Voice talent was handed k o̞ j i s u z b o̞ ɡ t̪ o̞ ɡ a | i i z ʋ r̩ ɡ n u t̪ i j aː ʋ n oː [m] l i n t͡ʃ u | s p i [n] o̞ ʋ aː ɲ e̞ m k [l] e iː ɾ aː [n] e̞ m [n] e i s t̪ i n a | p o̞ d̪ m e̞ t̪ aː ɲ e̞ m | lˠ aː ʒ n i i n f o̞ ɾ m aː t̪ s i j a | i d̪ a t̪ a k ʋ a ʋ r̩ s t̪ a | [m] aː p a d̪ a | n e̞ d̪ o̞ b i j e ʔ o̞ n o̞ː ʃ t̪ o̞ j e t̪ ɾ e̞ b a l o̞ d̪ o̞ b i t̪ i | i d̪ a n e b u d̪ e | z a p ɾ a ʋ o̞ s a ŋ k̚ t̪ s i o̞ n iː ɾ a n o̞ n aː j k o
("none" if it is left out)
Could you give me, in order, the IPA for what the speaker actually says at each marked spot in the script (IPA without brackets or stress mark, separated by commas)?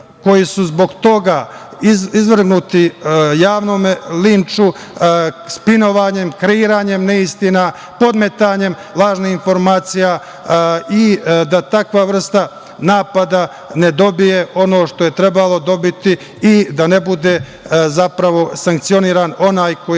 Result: m, n, ɾ, ɲ, n, n